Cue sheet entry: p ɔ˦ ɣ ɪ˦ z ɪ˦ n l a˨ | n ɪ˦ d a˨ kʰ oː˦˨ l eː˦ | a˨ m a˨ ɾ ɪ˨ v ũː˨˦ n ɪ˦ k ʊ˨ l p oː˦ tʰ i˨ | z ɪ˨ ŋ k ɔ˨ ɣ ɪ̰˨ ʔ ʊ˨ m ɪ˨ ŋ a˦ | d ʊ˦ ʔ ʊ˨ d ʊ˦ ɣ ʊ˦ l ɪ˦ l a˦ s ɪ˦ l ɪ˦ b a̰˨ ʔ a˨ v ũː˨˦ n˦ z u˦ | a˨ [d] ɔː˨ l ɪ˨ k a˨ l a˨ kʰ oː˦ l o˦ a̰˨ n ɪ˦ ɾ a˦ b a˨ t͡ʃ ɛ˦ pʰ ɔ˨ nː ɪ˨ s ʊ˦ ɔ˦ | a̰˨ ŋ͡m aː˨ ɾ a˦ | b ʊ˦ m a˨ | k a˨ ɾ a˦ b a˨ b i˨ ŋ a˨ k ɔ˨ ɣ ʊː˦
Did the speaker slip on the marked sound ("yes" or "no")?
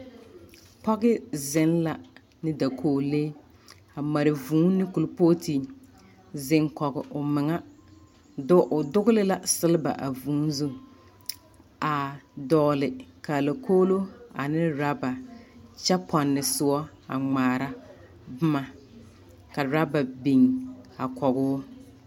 no